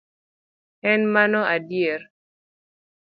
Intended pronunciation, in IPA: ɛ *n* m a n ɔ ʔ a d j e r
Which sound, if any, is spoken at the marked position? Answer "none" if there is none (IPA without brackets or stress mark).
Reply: n